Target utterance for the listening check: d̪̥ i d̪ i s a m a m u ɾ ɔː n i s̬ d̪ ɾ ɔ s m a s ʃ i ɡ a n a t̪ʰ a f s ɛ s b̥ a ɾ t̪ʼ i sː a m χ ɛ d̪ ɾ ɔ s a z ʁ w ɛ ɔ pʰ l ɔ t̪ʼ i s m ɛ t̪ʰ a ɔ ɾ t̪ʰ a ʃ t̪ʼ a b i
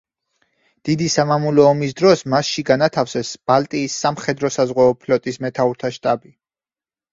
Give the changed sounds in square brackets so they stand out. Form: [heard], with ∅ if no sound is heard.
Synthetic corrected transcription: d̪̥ i d̪ i s a m a m u [l] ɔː [m] i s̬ d̪ ɾ ɔ s m a s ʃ i ɡ a n a t̪ʰ a f s ɛ s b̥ a [l] t̪ʼ [iː] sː a m χ ɛ d̪ ɾ ɔ s a z ʁ w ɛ ɔ pʰ l ɔ t̪ʼ i s m ɛ t̪ʰ a [u] ɾ t̪ʰ a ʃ t̪ʼ a b i